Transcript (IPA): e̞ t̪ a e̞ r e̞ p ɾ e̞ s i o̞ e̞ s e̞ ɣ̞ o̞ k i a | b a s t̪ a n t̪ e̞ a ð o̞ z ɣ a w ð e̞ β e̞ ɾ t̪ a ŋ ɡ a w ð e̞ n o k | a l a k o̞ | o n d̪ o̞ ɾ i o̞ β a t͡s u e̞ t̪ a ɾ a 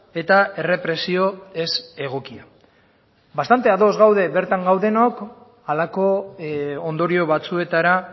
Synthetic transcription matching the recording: e̞ t̪ a e̞ r e̞ p ɾ e̞ s i o̞ e̞ s e̞ ɣ̞ o̞ k i a | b a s t̪ a n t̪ e̞ a ð o̞ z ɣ a w ð e̞ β e̞ ɾ t̪ a ŋ ɡ a w ð e̞ n o k | a l a k o̞ | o n d̪ o̞ ɾ i o̞ β a t͡s u e̞ t̪ a ɾ a

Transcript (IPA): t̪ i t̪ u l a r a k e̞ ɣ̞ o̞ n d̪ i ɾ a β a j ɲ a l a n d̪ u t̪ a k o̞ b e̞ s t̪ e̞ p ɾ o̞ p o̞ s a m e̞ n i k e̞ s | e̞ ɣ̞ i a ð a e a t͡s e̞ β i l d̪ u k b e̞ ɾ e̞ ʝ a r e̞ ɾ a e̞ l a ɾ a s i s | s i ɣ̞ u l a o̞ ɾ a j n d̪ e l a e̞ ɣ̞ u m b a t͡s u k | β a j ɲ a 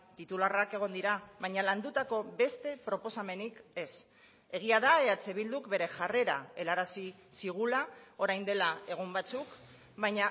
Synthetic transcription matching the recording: t̪ i t̪ u l a r a k e̞ ɣ̞ o̞ n d̪ i ɾ a β a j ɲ a l a n d̪ u t̪ a k o̞ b e̞ s t̪ e̞ p ɾ o̞ p o̞ s a m e̞ n i k e̞ s | e̞ ɣ̞ i a ð a e a t͡s e̞ β i l d̪ u k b e̞ ɾ e̞ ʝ a r e̞ ɾ a e̞ l a ɾ a s i | s i ɣ̞ u l a o̞ ɾ a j n d̪ e l a e̞ ɣ̞ u m b a t͡s u k | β a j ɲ a

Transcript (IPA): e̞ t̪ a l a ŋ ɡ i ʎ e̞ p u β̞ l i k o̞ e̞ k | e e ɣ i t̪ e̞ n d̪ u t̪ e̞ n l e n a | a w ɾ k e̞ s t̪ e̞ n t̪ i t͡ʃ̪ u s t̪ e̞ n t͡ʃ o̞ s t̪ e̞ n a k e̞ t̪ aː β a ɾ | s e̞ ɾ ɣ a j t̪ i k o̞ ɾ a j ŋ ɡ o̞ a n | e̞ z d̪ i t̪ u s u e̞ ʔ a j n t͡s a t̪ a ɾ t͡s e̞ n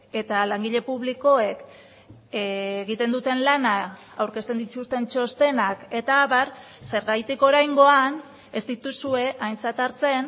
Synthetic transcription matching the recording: e̞ t̪ a l a ŋ ɡ i ʎ e̞ p u β̞ l i k o̞ e̞ k | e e ɣ i t̪ e̞ n d̪ u t̪ e̞ n l a n a | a w ɾ k e̞ s t̪ e̞ n d̪ i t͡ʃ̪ u s t̪ e̞ n t͡ʃ o̞ s t̪ e̞ n a k e̞ t̪ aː β a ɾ | s e̞ ɾ ɣ a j t̪ i k o̞ ɾ a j ŋ ɡ o̞ a n | e̞ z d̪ i t̪ u s u e̞ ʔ a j n t͡s a t̪ a ɾ t͡s e̞ n

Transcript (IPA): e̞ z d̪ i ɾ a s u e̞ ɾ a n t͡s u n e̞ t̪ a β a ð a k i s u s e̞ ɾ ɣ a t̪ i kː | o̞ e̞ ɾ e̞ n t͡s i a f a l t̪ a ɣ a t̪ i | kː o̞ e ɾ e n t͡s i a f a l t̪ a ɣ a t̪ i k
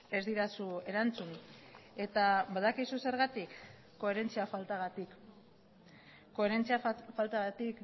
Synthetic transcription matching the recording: e̞ z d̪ i ɾ a s u e̞ ɾ a n t͡s u n e̞ t̪ a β a ð a k i s u s e̞ ɾ ɣ a t̪ i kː | o̞ e̞ ɾ e̞ n t͡s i a f a l t̪ a ɣ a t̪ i | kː o̞ e ɾ e n t͡s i a f a l t̪ a ɣ a t̪ i k

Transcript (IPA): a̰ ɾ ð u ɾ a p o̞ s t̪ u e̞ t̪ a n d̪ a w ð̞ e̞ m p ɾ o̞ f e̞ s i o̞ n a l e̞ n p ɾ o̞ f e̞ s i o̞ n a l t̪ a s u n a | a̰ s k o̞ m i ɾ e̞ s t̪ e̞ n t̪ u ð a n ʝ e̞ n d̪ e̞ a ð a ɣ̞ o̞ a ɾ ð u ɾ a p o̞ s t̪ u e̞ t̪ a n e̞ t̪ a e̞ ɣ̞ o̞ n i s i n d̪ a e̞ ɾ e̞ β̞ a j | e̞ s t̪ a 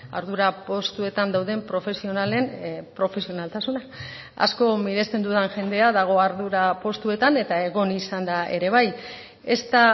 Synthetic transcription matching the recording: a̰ ɾ ð u ɾ a p o̞ s t̪ u e̞ t̪ a n d̪ a w ð̞ e̞ m p ɾ o̞ f e̞ s i o̞ n a l e̞ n p ɾ o̞ f e̞ s i o̞ n a l t̪ a s u n a | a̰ s k o̞ m i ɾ e̞ s t̪ e̞ n d̪ u ð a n ʝ e̞ n d̪ e̞ a ð a ɣ̞ o̞ a ɾ ð u ɾ a p o̞ s t̪ u e̞ t̪ a n e̞ t̪ a e̞ ɣ̞ o̞ n i s a n d̪ a e̞ ɾ e̞ β̞ a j | e̞ s t̪ a

